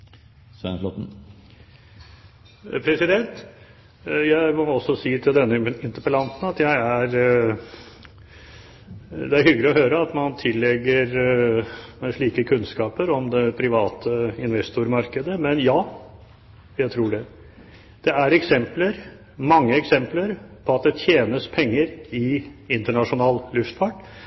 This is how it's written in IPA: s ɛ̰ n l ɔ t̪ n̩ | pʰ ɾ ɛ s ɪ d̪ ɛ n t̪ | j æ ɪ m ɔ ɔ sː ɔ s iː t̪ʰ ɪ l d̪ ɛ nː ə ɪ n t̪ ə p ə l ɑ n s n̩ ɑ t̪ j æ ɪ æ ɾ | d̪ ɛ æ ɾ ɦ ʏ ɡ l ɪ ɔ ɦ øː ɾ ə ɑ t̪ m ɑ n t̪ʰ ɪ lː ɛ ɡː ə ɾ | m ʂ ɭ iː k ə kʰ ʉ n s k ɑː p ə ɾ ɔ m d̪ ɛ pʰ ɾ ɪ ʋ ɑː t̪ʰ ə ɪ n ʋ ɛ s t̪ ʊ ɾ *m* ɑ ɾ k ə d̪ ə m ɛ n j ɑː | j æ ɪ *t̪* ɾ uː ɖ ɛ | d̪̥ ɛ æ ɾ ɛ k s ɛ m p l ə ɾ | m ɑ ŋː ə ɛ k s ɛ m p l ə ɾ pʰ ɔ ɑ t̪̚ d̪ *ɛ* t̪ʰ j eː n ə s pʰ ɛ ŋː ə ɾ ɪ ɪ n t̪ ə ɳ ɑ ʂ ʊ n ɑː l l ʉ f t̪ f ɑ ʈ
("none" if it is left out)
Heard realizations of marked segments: m, t̪ʰ, ɛ

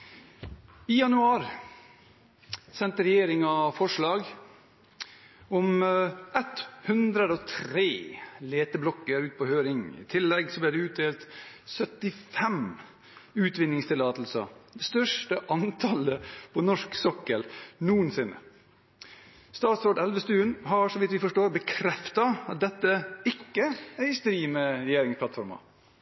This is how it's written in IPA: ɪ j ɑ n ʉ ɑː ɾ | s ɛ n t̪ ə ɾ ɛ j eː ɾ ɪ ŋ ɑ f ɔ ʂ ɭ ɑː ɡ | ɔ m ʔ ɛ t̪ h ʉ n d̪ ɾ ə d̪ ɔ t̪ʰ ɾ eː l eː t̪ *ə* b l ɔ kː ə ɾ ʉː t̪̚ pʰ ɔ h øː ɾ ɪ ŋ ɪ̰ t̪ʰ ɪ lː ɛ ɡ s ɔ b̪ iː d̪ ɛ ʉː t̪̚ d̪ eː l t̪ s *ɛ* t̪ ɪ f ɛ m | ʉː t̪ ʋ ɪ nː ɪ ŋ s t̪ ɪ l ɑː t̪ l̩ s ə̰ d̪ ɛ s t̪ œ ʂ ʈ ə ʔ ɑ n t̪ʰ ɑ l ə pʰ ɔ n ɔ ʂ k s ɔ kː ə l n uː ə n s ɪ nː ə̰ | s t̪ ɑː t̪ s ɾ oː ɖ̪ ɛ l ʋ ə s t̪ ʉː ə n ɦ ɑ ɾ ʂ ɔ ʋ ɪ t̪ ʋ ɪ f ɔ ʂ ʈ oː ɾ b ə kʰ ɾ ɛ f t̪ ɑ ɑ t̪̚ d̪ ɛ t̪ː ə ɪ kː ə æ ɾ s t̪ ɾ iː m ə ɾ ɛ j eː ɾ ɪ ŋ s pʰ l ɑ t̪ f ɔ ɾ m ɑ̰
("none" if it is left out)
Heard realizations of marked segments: ə, œ

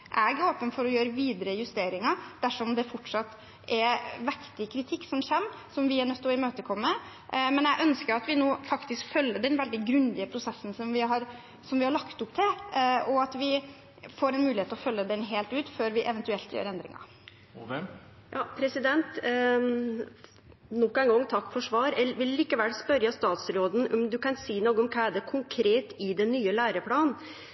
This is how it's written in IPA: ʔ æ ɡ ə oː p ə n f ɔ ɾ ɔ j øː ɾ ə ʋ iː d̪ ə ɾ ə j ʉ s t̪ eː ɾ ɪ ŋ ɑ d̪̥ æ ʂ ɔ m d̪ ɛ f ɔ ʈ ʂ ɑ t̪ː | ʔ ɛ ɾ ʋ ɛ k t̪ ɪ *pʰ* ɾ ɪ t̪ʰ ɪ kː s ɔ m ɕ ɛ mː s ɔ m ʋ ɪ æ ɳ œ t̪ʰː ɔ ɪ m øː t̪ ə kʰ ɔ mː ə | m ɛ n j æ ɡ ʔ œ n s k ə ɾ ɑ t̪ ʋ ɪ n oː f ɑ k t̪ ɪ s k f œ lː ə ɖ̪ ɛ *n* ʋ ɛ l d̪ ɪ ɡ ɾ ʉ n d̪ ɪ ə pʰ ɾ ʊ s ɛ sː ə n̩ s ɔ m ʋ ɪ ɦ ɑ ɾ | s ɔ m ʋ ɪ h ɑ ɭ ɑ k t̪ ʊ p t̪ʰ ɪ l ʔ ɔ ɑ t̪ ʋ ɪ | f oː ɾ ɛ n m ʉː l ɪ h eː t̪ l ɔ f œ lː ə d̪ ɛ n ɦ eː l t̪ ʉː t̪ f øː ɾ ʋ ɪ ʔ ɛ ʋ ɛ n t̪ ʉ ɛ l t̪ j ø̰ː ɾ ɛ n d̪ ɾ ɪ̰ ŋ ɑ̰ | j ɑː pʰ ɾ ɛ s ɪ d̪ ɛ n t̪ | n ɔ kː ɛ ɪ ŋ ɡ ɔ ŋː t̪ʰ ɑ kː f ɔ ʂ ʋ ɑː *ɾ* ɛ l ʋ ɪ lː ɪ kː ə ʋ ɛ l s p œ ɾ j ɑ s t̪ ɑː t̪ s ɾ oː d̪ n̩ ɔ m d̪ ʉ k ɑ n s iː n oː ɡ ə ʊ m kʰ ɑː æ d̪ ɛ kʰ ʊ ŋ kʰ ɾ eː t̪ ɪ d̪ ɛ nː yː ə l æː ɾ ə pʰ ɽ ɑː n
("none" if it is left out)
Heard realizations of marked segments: kʰ, n, ɾ

